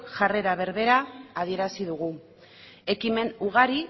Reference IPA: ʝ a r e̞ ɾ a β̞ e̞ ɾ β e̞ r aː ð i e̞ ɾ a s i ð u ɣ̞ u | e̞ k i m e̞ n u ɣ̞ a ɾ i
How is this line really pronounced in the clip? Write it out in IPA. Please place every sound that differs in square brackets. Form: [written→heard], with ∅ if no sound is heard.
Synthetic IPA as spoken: ʝ a r e̞ ɾ a β̞ e̞ ɾ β e̞ [r→ɾ] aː ð i e̞ ɾ a s i ð u ɣ̞ u | e̞ k i m e̞ n u ɣ̞ a ɾ i

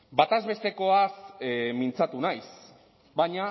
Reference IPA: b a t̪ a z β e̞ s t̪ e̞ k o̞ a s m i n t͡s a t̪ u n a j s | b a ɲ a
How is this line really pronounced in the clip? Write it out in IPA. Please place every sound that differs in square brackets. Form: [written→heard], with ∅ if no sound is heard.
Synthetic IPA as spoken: b a t̪ a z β e̞ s t̪ e̞ k o̞ a s m i n t͡s a t̪ u n a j s | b a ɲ a

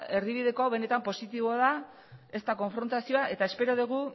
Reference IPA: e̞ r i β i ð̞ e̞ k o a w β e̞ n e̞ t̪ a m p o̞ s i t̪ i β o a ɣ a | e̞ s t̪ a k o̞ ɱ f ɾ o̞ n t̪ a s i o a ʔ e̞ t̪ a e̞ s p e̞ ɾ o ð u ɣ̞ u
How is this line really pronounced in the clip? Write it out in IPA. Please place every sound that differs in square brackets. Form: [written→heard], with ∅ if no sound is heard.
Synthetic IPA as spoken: e̞ r i β i ð̞ e̞ k o a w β e̞ n e̞ t̪ a m p o̞ s i t̪ i β o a [ɣ→ð] a | e̞ s t̪ a k o̞ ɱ f ɾ o̞ n t̪ a s i o a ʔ e̞ t̪ a e̞ s p e̞ ɾ o ð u ɣ̞ u

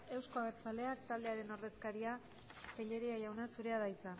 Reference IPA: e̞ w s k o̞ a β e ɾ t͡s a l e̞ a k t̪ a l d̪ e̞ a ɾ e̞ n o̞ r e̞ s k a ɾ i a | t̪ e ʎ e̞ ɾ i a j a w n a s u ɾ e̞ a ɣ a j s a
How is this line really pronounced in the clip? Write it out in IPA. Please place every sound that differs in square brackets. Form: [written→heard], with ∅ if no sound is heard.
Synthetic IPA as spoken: e̞ w s k o̞ a β e ɾ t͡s a l e̞ a k t̪ a l d̪ e̞ a ɾ e̞ n o̞ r e̞ s k a ɾ i a | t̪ e ʎ e̞ ɾ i a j a w n a s u ɾ e̞ a [ɣ→ð] a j [s→t͡s] a

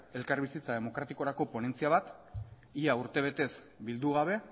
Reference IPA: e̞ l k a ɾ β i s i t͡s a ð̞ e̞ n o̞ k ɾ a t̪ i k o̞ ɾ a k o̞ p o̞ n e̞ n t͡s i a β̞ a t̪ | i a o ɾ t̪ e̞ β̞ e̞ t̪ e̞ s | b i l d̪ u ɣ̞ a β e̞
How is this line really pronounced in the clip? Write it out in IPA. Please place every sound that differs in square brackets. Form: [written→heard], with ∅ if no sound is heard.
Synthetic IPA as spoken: e̞ l k a ɾ β i s i t͡s a ð̞ e̞ [n→m] o̞ k ɾ a t̪ i k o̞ ɾ a k o̞ p o̞ n e̞ n t͡s i a β̞ a t̪ | i a [o→u] ɾ t̪ e̞ β̞ e̞ t̪ e̞ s | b i l d̪ u ɣ̞ a β e̞

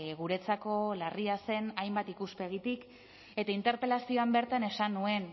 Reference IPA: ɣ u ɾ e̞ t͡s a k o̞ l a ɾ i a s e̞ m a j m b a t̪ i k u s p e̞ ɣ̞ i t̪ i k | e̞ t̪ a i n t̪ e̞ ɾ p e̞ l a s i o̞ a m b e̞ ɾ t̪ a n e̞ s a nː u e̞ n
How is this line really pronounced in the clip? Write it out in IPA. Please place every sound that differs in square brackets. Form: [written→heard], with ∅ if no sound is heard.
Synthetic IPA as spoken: ɣ u ɾ e̞ t͡s a k o̞ l a [ɾ→r] i a s e̞ [m→n] a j m b a t̪ i k u s p e̞ ɣ̞ i t̪ i k | e̞ t̪ a i n t̪ e̞ ɾ p e̞ l a s i o̞ a m b e̞ ɾ t̪ a n e̞ s a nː u e̞ n

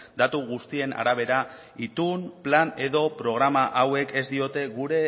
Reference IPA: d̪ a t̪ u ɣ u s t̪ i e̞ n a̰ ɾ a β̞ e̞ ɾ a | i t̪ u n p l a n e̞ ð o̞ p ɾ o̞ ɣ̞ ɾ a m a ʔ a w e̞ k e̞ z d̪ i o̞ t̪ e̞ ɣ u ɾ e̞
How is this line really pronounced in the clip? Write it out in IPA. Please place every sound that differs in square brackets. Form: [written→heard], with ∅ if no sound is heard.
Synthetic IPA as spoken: d̪ a t̪ u ɣ u s t̪ i e̞ n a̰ ɾ a β̞ e̞ ɾ a | i t̪ u n p l a n e̞ ð o̞ p ɾ o̞ ɣ̞ ɾ a m a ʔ a w e̞ k e̞ z d̪ i o̞ t̪ e̞ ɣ u ɾ e̞

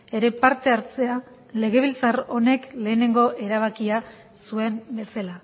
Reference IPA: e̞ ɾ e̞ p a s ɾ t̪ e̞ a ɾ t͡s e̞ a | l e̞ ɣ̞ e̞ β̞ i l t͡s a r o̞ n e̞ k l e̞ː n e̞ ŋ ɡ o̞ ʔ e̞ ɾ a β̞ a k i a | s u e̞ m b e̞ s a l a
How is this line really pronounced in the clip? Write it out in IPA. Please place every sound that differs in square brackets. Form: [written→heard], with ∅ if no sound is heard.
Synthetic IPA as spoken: e̞ ɾ e̞ p a [s→∅] ɾ t̪ e̞ a ɾ t͡s e̞ a | l e̞ ɣ̞ e̞ β̞ i l t͡s a r o̞ n e̞ k l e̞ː n e̞ ŋ ɡ o̞ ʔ e̞ ɾ a β̞ a k i a | s u e̞ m b e̞ s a l a

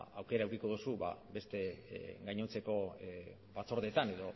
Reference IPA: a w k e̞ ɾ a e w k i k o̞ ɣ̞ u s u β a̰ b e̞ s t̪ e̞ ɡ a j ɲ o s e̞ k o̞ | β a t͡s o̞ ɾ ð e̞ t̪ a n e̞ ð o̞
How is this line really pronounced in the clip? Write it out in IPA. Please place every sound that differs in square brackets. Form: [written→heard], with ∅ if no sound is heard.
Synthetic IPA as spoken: a w k e̞ ɾ a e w k i k o̞ [ɣ̞→ð̞] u s u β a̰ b e̞ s t̪ e̞ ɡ a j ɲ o [s→t͡s] e̞ k o̞ | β a t͡s o̞ ɾ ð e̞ t̪ a n e̞ ð o̞

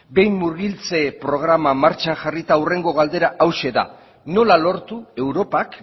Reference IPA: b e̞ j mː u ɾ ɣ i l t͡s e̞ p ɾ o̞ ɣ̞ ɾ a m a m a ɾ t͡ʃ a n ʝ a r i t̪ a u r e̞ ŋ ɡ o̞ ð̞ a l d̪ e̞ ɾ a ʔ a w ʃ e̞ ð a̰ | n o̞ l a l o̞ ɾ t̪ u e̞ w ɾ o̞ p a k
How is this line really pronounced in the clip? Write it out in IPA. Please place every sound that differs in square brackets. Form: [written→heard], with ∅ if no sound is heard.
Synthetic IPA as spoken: b e̞ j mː u ɾ ɣ i l t͡s e̞ p ɾ o̞ ɣ̞ ɾ a m a m a ɾ t͡ʃ a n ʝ a r i t̪ a u r e̞ ŋ ɡ o̞ [ð̞→ɣ̞] a l d̪ e̞ ɾ a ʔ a w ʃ e̞ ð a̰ | n o̞ l a l o̞ ɾ t̪ u e̞ w ɾ o̞ p a k

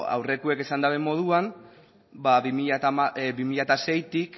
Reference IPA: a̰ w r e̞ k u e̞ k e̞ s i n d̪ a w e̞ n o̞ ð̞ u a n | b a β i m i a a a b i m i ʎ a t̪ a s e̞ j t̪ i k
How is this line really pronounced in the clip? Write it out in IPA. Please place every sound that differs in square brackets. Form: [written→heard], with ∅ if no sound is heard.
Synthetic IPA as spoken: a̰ w r e̞ k u e̞ k e̞ s [i→a] n d̪ a [w→β] e̞ [n→m] o̞ ð̞ u a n | b a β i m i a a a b i m i ʎ a t̪ a s e̞ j t̪ i k

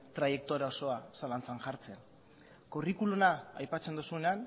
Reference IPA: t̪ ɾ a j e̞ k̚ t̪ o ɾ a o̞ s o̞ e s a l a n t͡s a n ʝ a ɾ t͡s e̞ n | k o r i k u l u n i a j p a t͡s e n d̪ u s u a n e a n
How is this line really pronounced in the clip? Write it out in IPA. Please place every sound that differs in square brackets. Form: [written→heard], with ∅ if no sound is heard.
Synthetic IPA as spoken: t̪ ɾ a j e̞ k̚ t̪ o ɾ a o̞ s o̞ [e→a] s a l a n t͡s a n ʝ a ɾ t͡s e̞ n | k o r i k u l u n [i→a] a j p a t͡s e n d̪ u s u [a→e] n e a n

